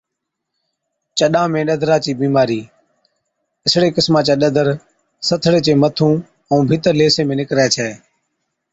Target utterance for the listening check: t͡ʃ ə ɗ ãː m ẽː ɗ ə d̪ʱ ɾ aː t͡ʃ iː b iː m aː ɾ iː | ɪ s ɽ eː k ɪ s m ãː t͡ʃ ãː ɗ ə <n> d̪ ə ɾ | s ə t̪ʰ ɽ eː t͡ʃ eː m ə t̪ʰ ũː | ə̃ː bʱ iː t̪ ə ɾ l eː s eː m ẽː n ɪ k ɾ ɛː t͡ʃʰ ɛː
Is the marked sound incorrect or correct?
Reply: incorrect